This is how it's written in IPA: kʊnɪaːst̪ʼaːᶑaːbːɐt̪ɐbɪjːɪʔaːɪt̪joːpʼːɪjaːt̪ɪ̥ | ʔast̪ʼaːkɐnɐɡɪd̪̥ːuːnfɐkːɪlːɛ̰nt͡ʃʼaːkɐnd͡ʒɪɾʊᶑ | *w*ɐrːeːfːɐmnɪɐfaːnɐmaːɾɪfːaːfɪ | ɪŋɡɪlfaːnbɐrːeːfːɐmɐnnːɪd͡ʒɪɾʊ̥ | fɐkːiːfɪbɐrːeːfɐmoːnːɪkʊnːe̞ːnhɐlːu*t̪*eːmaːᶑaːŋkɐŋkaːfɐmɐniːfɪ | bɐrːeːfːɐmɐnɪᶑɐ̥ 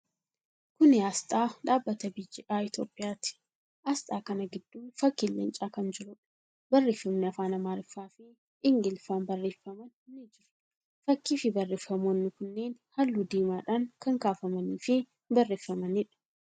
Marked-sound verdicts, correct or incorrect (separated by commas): incorrect, incorrect